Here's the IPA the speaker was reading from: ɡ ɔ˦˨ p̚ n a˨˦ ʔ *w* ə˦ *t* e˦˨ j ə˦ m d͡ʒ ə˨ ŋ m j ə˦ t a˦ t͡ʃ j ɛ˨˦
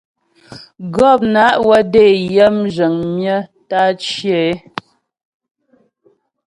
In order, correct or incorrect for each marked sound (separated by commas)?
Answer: correct, incorrect